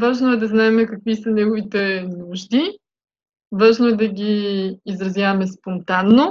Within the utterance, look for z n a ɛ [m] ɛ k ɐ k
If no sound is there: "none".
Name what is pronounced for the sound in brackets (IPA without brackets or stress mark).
m